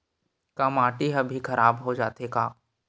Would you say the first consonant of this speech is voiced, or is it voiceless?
voiceless